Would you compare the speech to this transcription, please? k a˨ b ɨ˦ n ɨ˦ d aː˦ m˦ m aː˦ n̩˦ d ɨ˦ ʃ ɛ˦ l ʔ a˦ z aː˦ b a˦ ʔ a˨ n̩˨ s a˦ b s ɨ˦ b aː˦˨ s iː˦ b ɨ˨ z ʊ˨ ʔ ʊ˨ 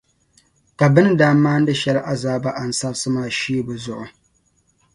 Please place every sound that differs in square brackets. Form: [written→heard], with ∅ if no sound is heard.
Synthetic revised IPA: k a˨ b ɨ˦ n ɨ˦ d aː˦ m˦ m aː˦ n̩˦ d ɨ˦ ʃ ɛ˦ l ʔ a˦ z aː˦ b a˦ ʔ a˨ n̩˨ s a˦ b s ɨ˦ [b→m] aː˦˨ [s→ʃ] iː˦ b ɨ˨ z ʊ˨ ʔ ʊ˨